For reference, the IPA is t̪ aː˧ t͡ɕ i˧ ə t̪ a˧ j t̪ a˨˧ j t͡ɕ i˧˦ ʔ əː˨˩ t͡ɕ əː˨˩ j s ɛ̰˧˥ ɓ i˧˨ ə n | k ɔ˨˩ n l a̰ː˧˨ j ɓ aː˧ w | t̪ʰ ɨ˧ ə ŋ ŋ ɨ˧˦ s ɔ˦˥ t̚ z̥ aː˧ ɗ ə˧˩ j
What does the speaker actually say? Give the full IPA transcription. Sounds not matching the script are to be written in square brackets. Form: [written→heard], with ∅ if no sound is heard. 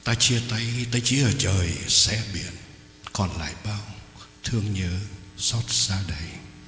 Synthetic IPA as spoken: t̪ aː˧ t͡ɕ i˧ ə t̪ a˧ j t̪ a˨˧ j t͡ɕ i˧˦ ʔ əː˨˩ t͡ɕ əː˨˩ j s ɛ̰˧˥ ɓ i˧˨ ə n | k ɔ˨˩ n l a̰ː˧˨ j ɓ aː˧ w | t̪ʰ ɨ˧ ə ŋ [ŋ→ɲ] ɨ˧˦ s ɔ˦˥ t̚ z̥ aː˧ ɗ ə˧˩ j